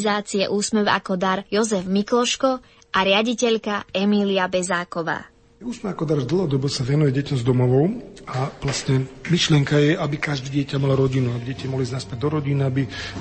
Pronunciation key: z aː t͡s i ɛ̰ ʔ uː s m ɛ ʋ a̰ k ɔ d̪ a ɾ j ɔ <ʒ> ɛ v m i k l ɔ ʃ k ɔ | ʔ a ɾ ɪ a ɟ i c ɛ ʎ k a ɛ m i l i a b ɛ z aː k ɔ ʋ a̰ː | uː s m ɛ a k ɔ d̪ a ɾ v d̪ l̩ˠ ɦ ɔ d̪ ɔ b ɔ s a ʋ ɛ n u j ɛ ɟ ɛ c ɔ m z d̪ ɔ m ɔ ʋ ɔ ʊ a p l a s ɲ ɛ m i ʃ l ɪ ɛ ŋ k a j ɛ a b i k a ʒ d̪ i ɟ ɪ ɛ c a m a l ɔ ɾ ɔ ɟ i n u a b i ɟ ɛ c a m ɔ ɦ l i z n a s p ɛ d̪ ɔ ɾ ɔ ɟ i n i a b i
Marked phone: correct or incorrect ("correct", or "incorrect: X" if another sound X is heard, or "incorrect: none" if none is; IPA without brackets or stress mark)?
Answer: incorrect: z